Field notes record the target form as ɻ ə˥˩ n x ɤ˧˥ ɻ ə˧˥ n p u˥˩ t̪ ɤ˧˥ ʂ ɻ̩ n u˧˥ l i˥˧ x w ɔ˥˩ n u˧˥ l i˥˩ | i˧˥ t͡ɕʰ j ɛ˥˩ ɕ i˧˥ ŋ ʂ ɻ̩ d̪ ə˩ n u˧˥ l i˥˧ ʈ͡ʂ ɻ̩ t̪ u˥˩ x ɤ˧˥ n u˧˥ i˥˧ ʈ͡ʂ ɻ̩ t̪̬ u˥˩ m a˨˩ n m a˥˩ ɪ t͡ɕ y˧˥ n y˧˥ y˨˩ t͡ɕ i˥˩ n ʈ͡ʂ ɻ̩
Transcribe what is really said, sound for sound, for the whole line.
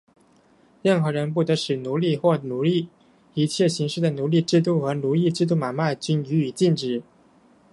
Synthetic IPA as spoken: ɻ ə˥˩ n x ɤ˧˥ ɻ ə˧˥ n p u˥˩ t̪ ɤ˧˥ ʂ ɻ̩ n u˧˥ l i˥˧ x w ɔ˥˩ n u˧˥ l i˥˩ | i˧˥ t͡ɕʰ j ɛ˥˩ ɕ i˧˥ ŋ ʂ ɻ̩ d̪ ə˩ n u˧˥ l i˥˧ ʈ͡ʂ ɻ̩ t̪ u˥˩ x ɤ˧˥ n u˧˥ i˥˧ ʈ͡ʂ ɻ̩ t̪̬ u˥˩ m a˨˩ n m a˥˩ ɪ t͡ɕ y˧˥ n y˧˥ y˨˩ t͡ɕ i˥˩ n ʈ͡ʂ ɻ̩